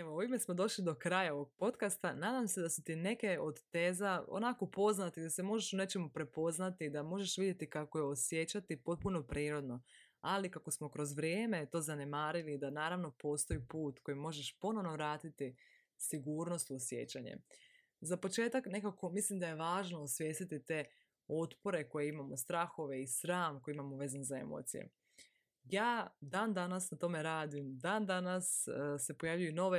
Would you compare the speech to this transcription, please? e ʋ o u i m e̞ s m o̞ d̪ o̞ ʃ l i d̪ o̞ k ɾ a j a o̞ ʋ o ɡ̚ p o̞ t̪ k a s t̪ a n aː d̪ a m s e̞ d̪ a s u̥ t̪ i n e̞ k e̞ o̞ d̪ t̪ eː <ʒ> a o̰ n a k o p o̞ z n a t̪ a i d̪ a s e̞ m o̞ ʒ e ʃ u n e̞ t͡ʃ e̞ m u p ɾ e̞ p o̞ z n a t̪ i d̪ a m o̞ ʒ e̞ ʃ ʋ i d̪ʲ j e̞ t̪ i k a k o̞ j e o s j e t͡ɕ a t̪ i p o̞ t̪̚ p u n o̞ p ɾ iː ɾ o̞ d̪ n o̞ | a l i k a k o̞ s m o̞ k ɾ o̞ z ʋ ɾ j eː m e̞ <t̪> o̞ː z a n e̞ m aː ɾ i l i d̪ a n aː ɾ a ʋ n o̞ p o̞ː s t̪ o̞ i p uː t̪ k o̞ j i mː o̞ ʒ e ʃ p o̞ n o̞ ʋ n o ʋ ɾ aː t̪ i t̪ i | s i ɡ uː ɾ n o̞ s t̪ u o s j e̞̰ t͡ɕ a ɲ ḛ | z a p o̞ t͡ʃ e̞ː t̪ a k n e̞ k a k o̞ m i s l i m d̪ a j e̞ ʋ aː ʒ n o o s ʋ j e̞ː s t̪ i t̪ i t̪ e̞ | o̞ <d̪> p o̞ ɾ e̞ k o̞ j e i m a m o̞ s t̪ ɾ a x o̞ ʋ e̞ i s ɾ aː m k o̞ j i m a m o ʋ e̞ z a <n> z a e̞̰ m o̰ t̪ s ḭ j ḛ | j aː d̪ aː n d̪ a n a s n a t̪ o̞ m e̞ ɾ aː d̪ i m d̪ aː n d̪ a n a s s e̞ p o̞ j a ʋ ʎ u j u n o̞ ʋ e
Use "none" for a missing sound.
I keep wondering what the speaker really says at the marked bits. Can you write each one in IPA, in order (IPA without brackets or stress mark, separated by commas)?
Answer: z, t̪, t̪, n